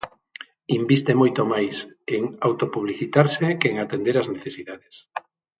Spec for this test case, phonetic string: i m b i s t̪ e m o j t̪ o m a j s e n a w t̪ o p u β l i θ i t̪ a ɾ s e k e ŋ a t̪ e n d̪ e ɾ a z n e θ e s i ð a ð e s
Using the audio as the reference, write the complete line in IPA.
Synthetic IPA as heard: i m b i s t̪ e m o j t̪ o m a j s e ŋ a w t̪ o p u β l i θ i t̪ a ɾ s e k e ŋ a t̪ e n d̪ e ɾ a z n e θ e s i ð a ð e s